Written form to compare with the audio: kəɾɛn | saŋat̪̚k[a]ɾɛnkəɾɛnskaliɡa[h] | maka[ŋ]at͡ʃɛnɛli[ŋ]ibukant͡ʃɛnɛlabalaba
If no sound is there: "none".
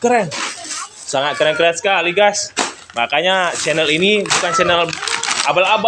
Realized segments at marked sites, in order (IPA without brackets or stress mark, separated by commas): ə, s, ɲ, n